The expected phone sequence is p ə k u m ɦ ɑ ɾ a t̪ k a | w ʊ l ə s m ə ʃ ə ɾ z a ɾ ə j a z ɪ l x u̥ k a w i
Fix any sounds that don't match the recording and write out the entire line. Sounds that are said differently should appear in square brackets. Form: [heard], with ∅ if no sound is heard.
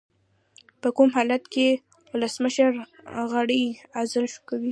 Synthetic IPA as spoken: p ə k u m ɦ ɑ [l] a t̪ k [e] | w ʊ l ə s m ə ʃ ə ɾ [ɣ] a [ɽ] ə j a z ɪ l [ʃ] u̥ k a w i